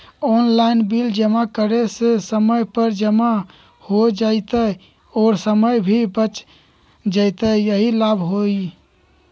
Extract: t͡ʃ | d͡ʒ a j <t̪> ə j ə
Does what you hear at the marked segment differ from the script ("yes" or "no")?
no